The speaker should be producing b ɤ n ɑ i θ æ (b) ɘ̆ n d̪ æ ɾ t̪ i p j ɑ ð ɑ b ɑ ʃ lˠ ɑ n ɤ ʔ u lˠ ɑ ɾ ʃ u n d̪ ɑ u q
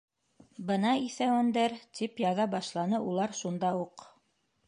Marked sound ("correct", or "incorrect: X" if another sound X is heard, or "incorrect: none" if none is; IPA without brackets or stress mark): incorrect: w